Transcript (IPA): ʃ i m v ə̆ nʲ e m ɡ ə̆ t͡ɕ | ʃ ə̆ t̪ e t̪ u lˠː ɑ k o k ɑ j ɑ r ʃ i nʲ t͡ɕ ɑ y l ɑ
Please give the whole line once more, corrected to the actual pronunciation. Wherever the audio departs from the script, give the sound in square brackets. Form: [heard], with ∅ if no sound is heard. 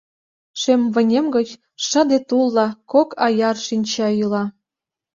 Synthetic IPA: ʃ [e] m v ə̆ nʲ e m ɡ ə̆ t͡ɕ | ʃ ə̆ [d̪] e t̪ u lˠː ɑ k o k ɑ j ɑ r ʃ i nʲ t͡ɕ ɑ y l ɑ